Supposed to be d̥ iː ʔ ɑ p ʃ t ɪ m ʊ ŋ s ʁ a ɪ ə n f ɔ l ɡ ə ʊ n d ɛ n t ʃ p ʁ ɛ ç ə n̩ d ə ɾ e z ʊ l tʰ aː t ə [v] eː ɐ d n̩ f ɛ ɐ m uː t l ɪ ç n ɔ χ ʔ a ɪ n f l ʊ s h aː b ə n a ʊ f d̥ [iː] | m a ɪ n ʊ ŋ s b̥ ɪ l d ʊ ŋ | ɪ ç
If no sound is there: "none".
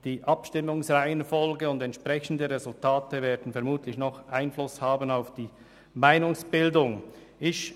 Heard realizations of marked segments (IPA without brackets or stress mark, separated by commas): v, iː